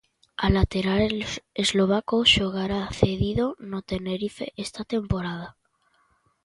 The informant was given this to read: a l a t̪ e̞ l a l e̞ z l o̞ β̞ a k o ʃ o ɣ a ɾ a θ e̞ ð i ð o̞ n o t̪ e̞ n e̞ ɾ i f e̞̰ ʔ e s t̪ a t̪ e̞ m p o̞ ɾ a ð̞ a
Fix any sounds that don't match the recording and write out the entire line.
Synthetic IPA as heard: a l a t̪ e̞ ɾ a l e̞ z l o̞ β̞ a k o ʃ o ɣ a ɾ a θ e̞ ð i ð o̞ n o t̪ e̞ n e̞ ɾ i f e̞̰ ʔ e s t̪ a t̪ e̞ m p o̞ ɾ a ð̞ a